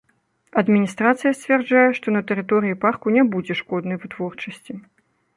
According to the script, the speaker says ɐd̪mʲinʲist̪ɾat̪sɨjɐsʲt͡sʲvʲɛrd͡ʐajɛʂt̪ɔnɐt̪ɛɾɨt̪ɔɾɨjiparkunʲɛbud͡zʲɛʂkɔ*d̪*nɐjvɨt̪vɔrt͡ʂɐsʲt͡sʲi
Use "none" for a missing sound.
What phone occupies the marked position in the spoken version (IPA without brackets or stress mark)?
d̪